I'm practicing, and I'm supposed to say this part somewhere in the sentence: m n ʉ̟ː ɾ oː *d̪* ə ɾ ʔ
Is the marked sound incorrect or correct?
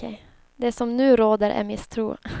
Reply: correct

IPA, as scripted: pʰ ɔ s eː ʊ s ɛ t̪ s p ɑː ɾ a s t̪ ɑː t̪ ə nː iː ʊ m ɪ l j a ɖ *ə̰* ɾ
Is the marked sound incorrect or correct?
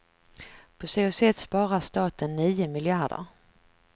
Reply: correct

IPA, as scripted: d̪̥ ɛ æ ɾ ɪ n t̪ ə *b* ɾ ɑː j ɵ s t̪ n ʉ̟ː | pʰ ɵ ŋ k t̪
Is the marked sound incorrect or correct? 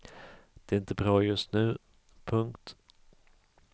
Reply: correct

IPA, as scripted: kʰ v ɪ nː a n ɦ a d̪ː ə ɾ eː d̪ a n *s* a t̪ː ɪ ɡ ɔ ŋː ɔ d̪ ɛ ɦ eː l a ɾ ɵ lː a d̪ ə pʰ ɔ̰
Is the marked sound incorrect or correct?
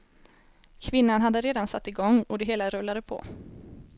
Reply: correct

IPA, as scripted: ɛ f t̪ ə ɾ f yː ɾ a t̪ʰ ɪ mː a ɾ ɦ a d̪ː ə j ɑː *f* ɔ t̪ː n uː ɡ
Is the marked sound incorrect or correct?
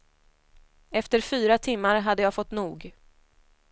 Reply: correct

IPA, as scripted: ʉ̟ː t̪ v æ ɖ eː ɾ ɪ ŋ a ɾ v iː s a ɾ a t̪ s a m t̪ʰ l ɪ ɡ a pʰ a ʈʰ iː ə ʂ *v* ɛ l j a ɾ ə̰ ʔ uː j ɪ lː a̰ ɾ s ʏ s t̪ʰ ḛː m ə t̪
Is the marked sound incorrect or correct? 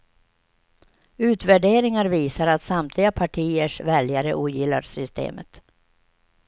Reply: correct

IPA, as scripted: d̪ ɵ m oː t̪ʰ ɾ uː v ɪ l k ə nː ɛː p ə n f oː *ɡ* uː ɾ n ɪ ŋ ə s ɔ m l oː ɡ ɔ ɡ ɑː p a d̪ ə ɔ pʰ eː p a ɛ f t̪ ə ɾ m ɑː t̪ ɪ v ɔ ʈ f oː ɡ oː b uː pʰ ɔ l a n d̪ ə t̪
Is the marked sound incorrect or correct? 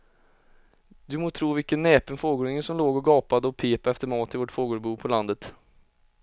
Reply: correct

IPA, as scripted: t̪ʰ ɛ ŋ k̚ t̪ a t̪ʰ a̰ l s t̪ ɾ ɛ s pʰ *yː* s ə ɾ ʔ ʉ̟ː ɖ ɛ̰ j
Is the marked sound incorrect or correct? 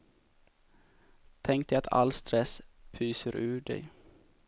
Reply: correct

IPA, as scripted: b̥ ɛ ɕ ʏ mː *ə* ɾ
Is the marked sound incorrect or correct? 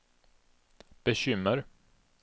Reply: correct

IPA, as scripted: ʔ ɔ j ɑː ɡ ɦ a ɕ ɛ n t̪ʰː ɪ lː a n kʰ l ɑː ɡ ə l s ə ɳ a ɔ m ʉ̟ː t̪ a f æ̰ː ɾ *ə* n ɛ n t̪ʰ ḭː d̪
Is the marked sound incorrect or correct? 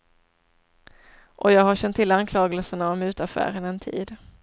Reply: correct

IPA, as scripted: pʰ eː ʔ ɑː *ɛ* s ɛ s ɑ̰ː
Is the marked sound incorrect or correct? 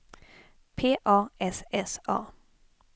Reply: correct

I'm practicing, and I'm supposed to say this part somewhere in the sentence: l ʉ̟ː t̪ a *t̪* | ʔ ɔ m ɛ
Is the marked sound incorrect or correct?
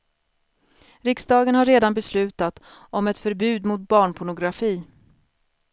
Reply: correct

